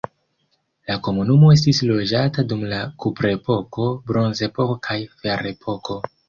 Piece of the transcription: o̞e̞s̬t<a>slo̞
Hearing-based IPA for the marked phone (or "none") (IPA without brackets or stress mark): i